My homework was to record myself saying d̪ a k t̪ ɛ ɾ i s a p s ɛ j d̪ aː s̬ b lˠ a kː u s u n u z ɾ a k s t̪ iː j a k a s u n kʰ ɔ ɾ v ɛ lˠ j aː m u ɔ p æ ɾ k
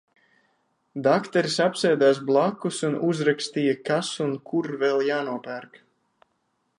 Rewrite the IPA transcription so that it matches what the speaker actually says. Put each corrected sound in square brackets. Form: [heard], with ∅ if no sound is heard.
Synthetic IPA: d̪ a k t̪ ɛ ɾ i s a p s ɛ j d̪ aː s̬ b lˠ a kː u s u n u z ɾ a k s t̪ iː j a k a s u n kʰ [u] ɾ v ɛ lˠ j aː [n] u ɔ p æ ɾ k